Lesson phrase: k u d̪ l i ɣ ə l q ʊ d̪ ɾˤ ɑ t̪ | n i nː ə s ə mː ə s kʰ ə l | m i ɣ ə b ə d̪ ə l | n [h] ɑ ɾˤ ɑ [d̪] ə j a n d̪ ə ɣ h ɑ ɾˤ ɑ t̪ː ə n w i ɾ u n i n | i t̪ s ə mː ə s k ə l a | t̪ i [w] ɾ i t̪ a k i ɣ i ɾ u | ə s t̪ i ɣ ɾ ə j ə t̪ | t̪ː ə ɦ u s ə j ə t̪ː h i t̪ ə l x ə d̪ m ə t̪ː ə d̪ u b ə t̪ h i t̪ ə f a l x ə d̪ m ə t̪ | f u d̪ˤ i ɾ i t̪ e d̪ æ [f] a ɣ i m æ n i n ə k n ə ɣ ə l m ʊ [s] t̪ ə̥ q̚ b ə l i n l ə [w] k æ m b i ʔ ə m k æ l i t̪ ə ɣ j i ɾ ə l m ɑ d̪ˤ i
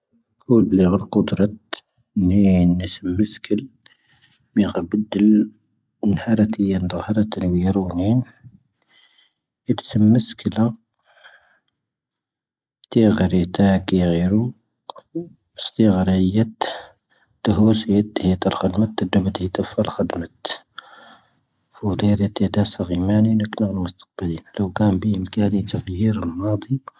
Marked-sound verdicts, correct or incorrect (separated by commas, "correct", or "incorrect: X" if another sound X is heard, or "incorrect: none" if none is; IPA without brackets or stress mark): correct, incorrect: t̪, incorrect: ɣ, incorrect: s, correct, correct